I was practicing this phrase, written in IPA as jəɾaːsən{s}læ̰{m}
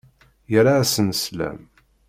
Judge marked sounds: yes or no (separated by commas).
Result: yes, yes